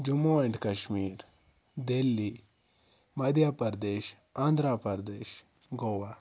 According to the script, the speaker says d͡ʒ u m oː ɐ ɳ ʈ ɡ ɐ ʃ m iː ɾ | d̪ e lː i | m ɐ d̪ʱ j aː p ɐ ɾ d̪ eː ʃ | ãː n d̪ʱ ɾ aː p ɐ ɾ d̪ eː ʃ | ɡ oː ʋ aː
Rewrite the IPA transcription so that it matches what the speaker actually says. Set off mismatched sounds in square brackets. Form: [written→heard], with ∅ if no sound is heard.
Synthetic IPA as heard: d͡ʒ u m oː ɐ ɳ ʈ [ɡ→k] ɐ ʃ m iː ɾ | d̪ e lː i | m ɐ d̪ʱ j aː p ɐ ɾ d̪ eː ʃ | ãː n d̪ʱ ɾ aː p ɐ ɾ d̪ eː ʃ | ɡ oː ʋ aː